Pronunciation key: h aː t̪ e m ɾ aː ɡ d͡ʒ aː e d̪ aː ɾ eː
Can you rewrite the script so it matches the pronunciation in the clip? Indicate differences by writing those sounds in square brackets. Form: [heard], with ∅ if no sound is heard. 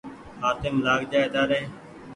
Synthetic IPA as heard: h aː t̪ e m [l] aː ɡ d͡ʒ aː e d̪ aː ɾ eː